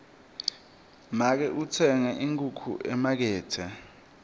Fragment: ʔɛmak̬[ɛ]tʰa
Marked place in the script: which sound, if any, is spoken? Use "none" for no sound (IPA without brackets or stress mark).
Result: ɛː